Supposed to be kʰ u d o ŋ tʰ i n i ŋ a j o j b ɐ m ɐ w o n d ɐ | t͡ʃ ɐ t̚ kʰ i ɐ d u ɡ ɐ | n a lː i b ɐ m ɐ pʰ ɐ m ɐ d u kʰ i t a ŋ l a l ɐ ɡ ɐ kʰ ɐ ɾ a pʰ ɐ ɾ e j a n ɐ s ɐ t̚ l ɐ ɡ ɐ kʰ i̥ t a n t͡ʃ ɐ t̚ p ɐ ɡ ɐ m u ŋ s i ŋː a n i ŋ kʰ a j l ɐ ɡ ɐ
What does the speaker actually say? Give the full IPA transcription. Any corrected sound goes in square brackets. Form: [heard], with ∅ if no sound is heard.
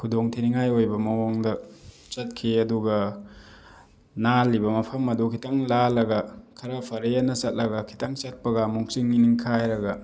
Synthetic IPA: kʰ u d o ŋ tʰ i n i ŋ a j o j b ɐ m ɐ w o [ŋ] d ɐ | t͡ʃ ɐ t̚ kʰ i ɐ d u ɡ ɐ | n a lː i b ɐ m ɐ pʰ ɐ m ɐ d u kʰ i t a ŋ l a l ɐ ɡ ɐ kʰ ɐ ɾ a pʰ ɐ ɾ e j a n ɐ s ɐ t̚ l ɐ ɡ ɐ kʰ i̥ t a [ŋ] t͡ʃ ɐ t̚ p ɐ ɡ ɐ m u ŋ s i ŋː [i] n i ŋ kʰ a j [ɾ] ɐ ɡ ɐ